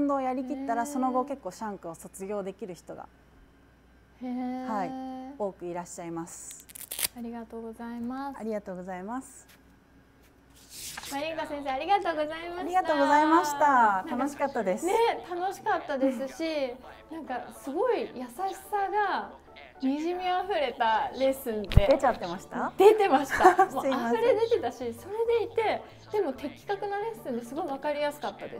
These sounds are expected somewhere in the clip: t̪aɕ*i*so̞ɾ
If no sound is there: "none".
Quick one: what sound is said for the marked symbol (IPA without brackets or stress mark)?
i